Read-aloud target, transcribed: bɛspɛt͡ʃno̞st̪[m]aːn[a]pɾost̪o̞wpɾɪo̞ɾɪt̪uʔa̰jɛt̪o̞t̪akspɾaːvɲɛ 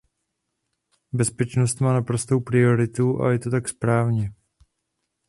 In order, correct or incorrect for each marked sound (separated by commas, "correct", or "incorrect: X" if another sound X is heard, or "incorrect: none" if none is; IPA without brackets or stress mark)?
correct, correct